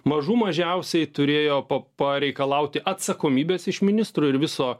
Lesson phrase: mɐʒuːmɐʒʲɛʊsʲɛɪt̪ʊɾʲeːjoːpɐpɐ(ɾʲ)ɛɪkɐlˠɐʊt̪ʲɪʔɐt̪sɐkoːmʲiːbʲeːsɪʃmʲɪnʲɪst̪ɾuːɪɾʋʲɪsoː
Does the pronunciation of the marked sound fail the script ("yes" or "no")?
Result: no